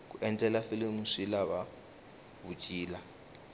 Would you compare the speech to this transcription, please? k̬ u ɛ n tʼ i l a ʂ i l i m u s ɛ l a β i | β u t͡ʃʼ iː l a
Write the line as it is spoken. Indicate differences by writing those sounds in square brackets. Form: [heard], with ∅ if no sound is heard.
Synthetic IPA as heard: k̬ u ɛ n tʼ [ɛ] l a [f] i l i m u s [i] l a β [a] | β u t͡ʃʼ iː l a